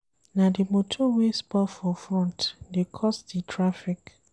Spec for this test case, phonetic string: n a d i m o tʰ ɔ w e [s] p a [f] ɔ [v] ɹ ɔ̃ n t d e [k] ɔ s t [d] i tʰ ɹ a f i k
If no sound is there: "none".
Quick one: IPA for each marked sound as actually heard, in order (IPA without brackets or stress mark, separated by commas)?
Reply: s, f, f, kʰ, d